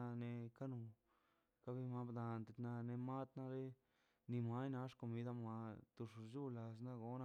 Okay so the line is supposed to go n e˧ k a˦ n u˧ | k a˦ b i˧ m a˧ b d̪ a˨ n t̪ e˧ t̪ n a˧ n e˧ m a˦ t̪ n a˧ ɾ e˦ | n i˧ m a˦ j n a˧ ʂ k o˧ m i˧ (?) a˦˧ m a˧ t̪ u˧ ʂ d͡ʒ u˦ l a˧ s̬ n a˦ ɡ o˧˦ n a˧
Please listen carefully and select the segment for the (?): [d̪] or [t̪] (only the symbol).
d̪